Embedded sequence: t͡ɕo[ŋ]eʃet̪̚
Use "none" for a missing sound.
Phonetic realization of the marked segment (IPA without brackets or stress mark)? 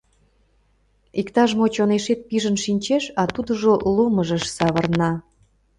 n